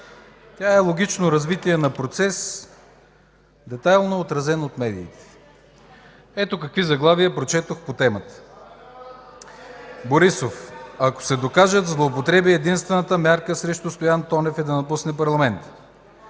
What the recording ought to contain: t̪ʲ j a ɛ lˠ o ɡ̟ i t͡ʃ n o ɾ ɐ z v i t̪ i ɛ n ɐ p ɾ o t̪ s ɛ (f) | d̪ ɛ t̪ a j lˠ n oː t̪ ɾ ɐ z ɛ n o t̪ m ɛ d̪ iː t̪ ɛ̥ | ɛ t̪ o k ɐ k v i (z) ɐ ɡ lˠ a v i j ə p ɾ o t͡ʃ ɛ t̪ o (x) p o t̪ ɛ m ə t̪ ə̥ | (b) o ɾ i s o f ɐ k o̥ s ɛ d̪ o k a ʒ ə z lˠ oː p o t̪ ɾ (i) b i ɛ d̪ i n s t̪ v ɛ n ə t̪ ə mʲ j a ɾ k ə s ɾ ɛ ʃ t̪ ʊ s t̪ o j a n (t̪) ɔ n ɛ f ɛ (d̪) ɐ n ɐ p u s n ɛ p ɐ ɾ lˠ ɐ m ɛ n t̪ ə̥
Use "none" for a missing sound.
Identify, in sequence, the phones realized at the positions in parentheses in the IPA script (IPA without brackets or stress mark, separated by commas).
s, z, x, b, ɛ, t̪, d̪